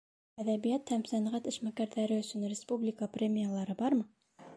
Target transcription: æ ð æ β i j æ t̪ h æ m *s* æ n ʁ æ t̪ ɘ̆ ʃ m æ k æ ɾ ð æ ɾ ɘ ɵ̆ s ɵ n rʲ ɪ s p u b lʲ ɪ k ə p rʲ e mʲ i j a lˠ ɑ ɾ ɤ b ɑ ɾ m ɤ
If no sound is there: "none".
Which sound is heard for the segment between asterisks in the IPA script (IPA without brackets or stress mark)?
s